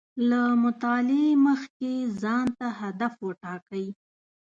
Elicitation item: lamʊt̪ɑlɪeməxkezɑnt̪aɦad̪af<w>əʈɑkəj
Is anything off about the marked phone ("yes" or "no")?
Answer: no